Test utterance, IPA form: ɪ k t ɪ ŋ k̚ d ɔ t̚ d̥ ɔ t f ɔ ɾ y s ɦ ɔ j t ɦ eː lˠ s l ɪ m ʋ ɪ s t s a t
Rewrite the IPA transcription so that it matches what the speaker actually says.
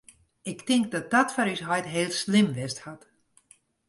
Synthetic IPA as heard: ɪ k t ɪ ŋ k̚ d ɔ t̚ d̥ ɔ t f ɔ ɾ y s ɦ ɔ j t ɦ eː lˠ s l ɪ m ʋ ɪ s t h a t